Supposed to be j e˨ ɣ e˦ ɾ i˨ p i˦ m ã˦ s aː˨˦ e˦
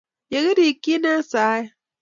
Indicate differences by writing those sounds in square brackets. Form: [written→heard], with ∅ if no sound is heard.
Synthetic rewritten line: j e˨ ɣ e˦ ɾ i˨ [p→k] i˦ [m→n] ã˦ s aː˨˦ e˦